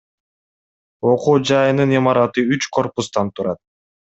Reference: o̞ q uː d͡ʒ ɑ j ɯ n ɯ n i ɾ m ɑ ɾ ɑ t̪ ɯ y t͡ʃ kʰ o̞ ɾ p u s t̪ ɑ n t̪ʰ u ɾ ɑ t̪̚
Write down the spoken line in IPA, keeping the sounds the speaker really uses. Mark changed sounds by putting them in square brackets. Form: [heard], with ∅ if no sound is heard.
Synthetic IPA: o̞ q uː d͡ʒ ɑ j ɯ n ɯ n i [∅] m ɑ ɾ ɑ t̪ ɯ y t͡ʃ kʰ o̞ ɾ p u s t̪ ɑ n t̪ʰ u ɾ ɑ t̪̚